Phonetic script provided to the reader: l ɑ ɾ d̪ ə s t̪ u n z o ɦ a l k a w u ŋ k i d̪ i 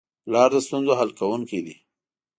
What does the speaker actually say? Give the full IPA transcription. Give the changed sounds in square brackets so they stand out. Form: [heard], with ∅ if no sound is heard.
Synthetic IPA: l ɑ ɾ d̪ ə s t̪ u n z o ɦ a l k a w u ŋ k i d̪ i